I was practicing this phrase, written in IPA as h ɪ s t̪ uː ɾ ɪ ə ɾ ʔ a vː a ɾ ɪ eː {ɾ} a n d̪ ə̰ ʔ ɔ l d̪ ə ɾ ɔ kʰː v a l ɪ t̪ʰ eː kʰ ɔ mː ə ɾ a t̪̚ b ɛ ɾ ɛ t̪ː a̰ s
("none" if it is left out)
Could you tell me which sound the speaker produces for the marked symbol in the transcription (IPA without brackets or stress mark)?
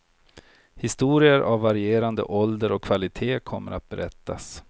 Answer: ɾ